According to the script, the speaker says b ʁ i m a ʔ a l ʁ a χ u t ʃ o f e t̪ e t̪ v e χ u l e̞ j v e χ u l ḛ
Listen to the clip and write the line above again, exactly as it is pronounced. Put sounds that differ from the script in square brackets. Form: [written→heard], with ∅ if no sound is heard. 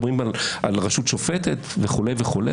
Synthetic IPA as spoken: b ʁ i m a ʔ a l ʁ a [χ→ʃ] u t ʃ o f e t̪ e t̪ v e χ u l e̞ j v e χ u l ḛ